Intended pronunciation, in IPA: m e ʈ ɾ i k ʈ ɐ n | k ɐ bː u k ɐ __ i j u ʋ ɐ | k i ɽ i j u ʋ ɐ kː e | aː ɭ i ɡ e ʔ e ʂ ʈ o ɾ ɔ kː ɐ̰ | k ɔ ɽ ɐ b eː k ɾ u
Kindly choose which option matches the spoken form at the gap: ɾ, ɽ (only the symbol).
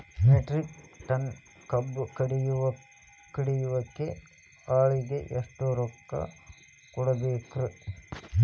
ɽ